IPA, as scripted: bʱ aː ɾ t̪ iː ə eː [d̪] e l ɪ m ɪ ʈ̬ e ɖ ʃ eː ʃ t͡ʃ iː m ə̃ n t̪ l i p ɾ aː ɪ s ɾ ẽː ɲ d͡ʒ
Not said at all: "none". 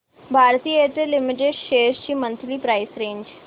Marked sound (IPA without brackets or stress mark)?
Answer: t̪